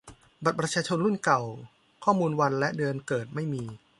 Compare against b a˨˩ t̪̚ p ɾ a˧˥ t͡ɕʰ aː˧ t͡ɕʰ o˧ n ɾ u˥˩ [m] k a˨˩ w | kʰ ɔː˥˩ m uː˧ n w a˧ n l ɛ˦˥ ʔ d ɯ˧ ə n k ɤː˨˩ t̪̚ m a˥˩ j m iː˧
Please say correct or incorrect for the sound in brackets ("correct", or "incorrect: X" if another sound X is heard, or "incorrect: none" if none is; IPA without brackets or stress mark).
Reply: incorrect: n